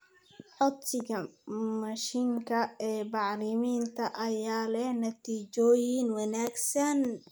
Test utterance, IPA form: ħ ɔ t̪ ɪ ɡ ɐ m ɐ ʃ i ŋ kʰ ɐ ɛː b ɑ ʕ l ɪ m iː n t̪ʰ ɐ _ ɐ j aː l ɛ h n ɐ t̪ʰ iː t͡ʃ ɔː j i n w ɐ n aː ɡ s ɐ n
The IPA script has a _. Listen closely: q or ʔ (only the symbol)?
ʔ